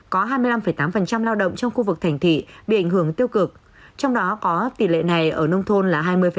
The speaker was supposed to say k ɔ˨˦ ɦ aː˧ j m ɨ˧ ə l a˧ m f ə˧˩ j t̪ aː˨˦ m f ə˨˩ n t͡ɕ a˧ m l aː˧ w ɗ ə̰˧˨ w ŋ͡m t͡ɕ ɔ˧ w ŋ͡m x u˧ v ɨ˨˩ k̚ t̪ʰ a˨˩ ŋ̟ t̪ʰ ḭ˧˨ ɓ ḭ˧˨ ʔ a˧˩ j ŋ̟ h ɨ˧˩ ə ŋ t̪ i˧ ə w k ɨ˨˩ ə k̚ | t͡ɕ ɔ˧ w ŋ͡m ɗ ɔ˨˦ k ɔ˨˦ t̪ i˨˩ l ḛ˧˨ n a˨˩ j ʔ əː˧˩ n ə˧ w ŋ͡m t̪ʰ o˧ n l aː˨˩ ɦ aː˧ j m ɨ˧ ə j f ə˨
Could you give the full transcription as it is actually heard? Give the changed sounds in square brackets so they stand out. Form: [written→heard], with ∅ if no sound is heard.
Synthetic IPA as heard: k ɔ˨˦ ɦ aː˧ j m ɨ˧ ə l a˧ m f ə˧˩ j t̪ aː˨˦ m f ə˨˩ n t͡ɕ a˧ m l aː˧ w ɗ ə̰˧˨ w ŋ͡m t͡ɕ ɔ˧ w ŋ͡m x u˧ v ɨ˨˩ k̚ t̪ʰ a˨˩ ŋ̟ t̪ʰ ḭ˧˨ ɓ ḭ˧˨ ʔ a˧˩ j ŋ̟ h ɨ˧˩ ə ŋ t̪ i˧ ə w k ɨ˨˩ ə k̚ | t͡ɕ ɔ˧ w ŋ͡m ɗ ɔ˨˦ k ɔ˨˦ t̪ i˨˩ l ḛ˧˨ n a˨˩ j ʔ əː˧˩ n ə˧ w ŋ͡m t̪ʰ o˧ n l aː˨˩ ɦ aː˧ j m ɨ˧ ə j f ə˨